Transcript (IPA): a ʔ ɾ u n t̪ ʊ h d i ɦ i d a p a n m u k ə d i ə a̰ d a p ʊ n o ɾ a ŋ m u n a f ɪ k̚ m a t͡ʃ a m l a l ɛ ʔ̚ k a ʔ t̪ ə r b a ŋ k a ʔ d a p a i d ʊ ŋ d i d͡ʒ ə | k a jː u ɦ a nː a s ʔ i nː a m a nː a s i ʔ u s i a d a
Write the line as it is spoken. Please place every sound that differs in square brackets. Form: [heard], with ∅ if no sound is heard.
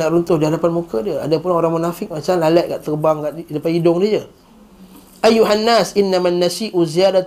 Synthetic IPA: a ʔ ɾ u n t̪ ʊ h d i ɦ [a] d a p a n m u k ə d i ə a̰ d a p ʊ n o ɾ a ŋ m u n a f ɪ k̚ m a t͡ʃ a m l a l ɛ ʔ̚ k a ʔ t̪ ə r b a ŋ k a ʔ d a p a i d ʊ ŋ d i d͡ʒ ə | [ʔ] a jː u ɦ a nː a s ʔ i nː a m a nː a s i ʔ u [z] i a d a